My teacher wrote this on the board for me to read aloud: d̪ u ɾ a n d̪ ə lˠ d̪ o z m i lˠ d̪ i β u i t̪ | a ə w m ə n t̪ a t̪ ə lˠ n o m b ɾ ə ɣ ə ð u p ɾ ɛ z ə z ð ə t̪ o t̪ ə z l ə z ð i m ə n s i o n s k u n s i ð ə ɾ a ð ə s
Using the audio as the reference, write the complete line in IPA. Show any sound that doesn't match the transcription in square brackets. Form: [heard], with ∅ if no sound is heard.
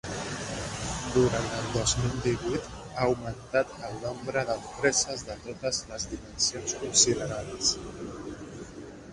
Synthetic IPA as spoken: d̪ u ɾ a n [t̪] ə lˠ d̪ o z m i lˠ d̪ i β u [j] t̪ | a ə w m ə n t̪ a t̪ ə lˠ n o m b ɾ ə [ð] ə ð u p ɾ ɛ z ə z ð ə t̪ o t̪ ə z l ə z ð i m ə n s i o n s k u n s i ð ə ɾ a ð ə s